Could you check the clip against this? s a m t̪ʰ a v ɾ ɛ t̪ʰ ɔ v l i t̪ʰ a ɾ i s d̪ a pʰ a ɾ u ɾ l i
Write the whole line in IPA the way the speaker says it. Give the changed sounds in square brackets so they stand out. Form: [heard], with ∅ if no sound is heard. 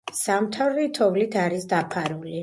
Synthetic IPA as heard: s a m t̪ʰ a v ɾ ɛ t̪ʰ ɔ v l i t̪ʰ a ɾ i s d̪ a pʰ a ɾ u [∅] l i